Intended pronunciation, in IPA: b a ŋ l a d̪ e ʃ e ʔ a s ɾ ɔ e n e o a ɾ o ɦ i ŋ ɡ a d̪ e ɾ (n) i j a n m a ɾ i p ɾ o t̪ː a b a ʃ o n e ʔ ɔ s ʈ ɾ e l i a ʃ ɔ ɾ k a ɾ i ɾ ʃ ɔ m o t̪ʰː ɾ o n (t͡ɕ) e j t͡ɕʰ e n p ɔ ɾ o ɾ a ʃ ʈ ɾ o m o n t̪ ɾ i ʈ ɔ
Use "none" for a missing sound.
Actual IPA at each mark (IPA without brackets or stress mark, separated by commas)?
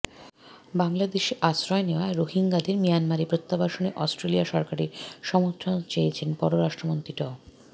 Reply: m, t͡ɕ